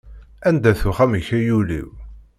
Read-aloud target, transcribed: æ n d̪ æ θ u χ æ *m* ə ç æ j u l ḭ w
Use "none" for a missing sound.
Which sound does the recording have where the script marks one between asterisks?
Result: m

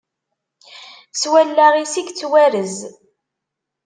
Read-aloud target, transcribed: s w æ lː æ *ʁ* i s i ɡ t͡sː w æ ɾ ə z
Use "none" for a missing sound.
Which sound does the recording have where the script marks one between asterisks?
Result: ʁ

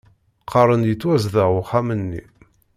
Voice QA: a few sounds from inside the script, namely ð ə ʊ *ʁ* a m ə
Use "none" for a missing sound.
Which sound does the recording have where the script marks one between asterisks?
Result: χ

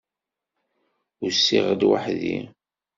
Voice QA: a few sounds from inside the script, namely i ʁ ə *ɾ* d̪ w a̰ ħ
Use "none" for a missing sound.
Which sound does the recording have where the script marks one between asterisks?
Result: none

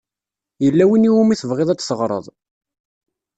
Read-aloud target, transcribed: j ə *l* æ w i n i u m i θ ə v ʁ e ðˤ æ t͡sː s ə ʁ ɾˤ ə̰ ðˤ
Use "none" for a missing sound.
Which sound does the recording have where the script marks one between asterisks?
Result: lː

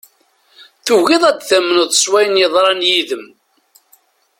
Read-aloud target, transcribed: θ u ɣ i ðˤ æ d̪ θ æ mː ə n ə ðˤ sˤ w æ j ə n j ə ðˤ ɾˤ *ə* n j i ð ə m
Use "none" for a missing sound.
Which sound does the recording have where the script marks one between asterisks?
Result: ɑ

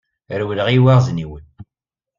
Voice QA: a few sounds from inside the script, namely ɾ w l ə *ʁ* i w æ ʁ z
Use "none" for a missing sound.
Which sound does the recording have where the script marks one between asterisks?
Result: ʁ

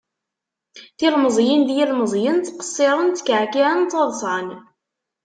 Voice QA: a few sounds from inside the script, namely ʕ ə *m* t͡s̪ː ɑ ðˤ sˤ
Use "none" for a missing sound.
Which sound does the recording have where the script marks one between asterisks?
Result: n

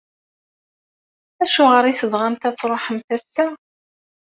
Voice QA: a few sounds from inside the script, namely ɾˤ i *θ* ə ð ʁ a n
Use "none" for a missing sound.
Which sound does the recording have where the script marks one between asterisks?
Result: θ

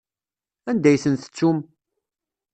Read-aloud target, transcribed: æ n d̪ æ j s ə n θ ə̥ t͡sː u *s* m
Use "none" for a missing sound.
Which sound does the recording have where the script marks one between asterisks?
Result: none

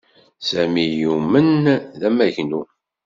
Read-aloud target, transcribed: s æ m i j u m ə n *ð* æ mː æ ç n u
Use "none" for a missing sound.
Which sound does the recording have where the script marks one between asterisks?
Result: ð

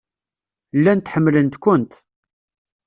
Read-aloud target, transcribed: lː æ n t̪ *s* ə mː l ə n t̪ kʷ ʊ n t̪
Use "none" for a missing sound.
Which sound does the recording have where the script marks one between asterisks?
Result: ħ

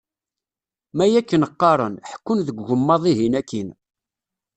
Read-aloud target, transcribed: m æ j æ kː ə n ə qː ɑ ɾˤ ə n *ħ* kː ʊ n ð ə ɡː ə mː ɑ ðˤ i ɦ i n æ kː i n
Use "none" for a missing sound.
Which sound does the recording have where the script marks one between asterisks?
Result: ħ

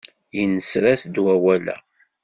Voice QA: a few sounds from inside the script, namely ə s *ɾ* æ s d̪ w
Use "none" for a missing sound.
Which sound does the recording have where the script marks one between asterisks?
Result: ɾ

